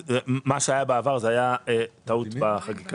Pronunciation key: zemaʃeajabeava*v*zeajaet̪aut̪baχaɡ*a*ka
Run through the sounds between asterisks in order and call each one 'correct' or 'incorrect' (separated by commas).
incorrect, incorrect